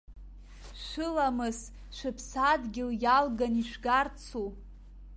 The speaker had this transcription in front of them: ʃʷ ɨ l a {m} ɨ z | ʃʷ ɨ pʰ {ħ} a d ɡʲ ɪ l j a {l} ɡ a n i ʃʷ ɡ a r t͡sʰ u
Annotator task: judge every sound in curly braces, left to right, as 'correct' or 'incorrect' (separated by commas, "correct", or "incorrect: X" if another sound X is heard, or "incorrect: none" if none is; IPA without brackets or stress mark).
correct, incorrect: s, correct